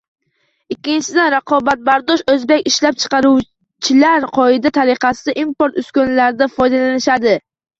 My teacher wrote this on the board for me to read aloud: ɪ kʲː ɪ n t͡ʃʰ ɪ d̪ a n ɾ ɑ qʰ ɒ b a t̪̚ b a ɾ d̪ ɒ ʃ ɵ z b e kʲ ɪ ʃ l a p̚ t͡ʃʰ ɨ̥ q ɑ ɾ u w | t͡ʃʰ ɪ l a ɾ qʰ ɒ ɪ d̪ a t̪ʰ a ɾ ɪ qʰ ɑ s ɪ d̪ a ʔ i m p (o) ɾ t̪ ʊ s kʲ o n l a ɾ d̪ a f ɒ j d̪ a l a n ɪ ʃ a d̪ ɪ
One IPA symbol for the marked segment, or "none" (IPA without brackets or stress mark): o